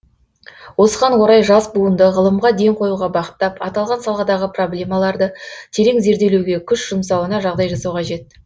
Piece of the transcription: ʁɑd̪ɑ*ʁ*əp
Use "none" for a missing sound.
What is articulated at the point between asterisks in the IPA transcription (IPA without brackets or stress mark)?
ʁ